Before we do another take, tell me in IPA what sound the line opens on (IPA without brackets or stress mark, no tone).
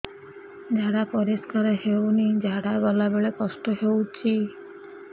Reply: d͡ʒ